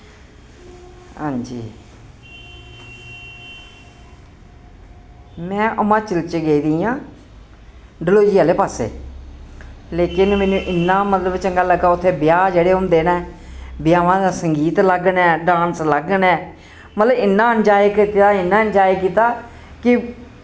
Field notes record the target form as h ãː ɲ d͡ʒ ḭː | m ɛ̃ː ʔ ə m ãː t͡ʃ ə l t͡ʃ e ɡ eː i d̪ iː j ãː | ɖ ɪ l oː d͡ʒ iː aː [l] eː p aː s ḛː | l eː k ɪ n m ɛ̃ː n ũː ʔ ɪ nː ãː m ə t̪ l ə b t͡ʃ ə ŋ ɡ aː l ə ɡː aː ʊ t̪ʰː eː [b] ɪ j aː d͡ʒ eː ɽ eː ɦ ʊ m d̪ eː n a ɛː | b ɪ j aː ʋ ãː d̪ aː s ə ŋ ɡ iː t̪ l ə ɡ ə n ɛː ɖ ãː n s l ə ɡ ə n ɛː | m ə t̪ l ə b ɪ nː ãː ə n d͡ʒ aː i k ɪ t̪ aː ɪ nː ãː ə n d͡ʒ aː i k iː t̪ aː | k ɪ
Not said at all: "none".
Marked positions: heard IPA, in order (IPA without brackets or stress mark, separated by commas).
l, b